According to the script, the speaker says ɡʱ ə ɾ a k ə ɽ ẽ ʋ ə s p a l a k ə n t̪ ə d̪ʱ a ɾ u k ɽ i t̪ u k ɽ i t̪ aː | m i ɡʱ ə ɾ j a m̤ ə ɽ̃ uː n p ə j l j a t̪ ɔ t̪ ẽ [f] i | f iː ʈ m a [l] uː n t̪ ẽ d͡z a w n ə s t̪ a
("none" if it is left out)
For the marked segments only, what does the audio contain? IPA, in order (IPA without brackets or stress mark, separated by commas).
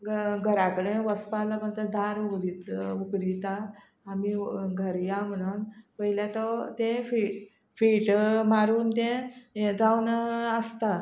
f, ɾ